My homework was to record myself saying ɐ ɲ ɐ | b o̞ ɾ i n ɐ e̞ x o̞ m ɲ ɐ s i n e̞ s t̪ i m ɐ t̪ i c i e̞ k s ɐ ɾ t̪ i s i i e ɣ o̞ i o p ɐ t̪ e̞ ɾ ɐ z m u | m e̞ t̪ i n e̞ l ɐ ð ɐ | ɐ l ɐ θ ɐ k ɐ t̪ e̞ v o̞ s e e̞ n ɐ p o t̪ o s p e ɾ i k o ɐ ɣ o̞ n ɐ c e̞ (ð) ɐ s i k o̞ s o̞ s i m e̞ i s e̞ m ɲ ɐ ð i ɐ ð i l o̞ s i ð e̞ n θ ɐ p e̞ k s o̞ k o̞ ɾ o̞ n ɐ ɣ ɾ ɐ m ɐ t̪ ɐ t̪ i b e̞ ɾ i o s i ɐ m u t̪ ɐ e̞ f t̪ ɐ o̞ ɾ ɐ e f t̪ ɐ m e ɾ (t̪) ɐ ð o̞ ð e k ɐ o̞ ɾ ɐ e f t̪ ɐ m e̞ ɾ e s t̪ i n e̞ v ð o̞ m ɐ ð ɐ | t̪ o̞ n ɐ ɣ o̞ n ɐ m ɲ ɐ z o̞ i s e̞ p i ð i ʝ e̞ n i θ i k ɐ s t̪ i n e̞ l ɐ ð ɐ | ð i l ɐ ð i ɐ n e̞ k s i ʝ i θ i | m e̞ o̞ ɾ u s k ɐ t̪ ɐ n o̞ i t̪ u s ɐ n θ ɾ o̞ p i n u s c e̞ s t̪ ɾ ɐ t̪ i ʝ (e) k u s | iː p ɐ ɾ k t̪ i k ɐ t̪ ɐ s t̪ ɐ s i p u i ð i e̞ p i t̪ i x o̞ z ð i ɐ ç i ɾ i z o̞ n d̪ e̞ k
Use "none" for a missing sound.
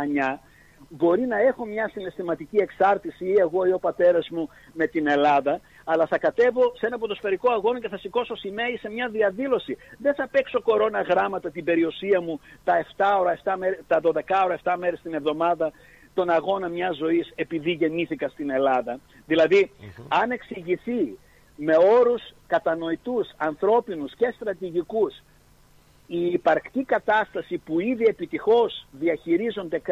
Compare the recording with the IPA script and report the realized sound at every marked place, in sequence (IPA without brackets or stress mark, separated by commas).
θ, t̪, i